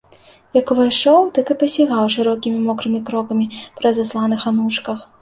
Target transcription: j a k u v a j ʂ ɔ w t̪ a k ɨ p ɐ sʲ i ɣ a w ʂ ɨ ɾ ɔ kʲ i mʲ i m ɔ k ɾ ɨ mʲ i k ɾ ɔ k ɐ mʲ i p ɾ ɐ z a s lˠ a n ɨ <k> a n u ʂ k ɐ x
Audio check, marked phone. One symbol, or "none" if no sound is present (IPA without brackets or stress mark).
x